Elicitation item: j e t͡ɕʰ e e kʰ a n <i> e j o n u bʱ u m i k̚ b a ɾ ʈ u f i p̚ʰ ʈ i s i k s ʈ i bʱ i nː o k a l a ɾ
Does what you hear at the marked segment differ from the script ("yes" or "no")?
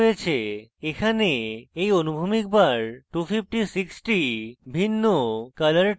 yes